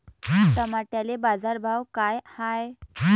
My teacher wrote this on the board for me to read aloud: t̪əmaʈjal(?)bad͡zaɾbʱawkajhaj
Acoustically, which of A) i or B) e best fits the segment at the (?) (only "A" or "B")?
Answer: B